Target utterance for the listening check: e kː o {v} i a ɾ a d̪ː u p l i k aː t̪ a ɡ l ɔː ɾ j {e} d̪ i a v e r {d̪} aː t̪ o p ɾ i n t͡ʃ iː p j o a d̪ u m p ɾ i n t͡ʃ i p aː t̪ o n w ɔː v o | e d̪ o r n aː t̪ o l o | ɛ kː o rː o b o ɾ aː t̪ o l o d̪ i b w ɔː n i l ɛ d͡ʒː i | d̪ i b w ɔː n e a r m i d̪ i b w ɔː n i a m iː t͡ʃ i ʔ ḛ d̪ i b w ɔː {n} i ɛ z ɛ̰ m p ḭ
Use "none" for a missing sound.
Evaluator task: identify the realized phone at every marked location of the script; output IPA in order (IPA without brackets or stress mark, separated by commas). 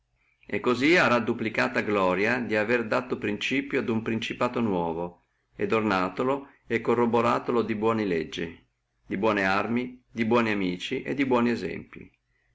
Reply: z, a, d̪, n